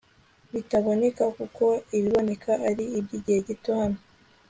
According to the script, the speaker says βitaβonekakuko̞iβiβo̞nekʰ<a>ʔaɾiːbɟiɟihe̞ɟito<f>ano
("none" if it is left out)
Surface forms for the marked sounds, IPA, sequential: a, h

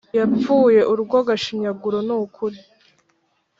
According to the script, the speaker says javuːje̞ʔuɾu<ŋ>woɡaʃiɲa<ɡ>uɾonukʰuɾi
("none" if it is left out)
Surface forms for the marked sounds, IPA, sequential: ɡ, ɡ

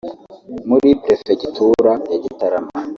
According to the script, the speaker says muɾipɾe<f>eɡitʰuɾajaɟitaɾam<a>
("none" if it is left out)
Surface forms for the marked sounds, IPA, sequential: f, a

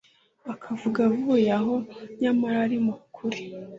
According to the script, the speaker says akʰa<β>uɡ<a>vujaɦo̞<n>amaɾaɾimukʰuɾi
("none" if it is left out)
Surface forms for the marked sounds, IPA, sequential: v, a, ɲ

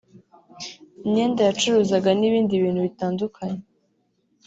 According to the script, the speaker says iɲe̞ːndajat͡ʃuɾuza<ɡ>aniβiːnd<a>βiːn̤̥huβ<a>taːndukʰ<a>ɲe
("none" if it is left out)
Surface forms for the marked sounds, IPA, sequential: ɡ, i, i, a

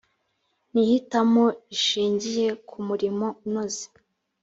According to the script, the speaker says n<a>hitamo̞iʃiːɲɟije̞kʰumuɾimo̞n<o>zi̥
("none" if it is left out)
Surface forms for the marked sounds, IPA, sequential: i, o

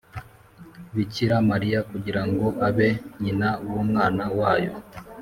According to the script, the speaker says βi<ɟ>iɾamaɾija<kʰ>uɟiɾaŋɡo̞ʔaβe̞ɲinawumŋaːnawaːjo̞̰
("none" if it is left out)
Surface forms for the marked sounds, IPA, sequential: c, k

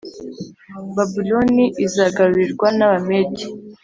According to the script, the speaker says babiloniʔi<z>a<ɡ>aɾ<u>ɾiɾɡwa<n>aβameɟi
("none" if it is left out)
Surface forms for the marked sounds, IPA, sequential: z, ɡ, u, n

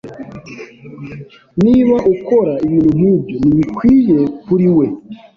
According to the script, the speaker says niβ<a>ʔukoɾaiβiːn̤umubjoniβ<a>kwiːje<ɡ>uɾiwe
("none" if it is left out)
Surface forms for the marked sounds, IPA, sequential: a, i, k

